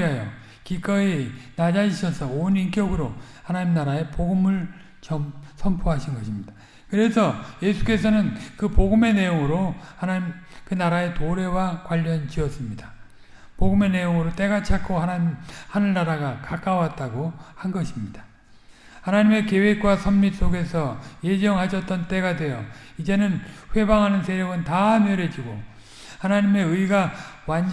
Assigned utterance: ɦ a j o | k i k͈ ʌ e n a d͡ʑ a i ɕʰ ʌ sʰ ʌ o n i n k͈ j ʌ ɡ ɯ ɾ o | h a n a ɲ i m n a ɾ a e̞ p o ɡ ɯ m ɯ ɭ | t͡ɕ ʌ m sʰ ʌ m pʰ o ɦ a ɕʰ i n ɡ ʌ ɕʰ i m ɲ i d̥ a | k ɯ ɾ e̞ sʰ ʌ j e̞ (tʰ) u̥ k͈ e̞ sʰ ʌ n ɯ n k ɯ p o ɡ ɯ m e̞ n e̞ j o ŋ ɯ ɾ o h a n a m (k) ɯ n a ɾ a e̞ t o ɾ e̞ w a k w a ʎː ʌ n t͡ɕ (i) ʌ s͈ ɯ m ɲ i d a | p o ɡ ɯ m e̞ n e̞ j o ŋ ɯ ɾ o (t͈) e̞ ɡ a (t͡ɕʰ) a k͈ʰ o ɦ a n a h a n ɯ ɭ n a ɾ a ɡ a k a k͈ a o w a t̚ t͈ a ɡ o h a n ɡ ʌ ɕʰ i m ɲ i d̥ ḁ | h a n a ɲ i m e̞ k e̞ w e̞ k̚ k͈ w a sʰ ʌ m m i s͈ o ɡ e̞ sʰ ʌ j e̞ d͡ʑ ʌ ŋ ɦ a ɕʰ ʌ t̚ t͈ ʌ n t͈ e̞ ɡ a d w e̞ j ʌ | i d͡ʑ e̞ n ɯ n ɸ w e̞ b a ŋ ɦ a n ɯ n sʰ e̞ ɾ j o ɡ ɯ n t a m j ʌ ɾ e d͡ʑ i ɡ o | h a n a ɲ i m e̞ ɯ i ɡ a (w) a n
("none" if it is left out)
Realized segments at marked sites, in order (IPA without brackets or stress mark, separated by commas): sʰ, k, i, t͈, t͡ɕʰ, w